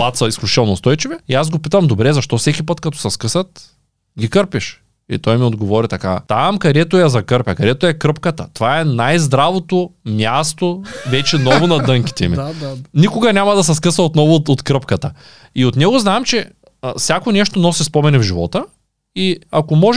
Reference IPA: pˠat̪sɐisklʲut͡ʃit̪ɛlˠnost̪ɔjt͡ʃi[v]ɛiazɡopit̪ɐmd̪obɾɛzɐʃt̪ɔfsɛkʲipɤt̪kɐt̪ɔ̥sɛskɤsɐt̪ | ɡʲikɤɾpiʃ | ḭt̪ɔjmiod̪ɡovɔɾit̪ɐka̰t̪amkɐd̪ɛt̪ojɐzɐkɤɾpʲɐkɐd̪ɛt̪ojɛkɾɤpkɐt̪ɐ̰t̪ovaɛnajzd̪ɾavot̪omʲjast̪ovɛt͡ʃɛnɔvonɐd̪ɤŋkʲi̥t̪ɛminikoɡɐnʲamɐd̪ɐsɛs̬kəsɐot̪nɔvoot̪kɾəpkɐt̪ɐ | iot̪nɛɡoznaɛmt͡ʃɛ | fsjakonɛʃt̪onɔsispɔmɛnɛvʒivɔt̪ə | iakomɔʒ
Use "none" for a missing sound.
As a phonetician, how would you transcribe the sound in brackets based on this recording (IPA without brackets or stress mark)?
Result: v